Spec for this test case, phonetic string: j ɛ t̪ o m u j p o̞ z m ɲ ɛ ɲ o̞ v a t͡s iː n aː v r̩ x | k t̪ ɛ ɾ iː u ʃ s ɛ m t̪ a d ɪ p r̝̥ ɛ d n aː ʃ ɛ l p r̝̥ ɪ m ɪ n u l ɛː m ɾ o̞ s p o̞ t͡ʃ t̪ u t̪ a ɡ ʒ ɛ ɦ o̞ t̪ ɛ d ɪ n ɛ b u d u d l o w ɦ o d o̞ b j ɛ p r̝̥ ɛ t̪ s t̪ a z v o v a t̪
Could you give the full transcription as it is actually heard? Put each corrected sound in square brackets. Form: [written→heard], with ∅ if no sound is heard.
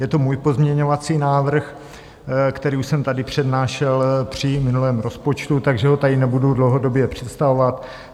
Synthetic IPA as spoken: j ɛ t̪ o m [u→uː] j p o̞ z m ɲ ɛ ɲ o̞ v a t͡s iː n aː v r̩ x | k t̪ ɛ ɾ iː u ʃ s ɛ m t̪ a d ɪ p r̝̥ ɛ d n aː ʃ ɛ l p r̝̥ ɪ m ɪ n u l ɛː m ɾ o̞ s p o̞ t͡ʃ t̪ u t̪ a ɡ ʒ ɛ ɦ o̞ t̪ [ɛ→a] d ɪ n ɛ b u d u d l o w ɦ o d o̞ b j ɛ p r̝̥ ɛ t̪ s t̪ a [z→∅] v o v a t̪